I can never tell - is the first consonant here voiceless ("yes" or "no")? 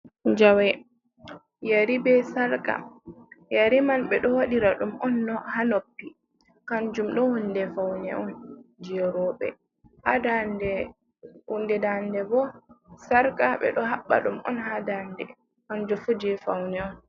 no